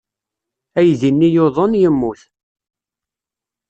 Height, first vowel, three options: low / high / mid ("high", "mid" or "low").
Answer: low